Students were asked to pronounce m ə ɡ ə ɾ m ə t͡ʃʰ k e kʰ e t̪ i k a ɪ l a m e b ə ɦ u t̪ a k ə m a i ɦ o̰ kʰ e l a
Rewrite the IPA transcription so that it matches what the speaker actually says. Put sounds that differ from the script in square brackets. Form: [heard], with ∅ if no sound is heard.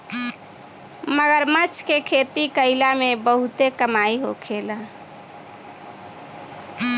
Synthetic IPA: m ə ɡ ə ɾ m ə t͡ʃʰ k e kʰ e t̪ i k [ə] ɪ l a m e b ə ɦ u t̪ [e] k ə m a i ɦ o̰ kʰ e l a